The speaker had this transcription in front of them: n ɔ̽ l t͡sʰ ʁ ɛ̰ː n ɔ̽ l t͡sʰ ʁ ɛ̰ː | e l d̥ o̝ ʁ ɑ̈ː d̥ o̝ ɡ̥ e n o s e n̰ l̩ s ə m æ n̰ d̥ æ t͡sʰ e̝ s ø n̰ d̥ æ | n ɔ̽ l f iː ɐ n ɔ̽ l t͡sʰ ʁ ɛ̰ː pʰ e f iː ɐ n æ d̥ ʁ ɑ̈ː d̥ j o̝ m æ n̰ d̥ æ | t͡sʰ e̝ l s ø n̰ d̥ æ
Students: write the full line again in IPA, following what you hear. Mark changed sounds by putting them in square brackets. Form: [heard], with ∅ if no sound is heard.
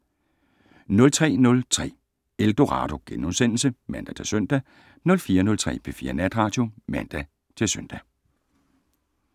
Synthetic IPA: n ɔ̽ l t͡sʰ ʁ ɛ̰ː n ɔ̽ l t͡sʰ ʁ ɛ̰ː | e l d̥ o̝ ʁ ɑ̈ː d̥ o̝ ɡ̥ e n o s e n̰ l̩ s ə m æ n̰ d̥ æ t͡sʰ e̝ s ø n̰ d̥ æ | n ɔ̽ l f iː ɐ n ɔ̽ l t͡sʰ ʁ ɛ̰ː pʰ e f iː ɐ n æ d̥ ʁ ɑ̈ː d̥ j o̝ m æ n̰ d̥ æ | t͡sʰ e̝ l s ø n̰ d̥ æ